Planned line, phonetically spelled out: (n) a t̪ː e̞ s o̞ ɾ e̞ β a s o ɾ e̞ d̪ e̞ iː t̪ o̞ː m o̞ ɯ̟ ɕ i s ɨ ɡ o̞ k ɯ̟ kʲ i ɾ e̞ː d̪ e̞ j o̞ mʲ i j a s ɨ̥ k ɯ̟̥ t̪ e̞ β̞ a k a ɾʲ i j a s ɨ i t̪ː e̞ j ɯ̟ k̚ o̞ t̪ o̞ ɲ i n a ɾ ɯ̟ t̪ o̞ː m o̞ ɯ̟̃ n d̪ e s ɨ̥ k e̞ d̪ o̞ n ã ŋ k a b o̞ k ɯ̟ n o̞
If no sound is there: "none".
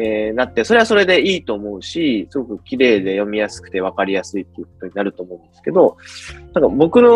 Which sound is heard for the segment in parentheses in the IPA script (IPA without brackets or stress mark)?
n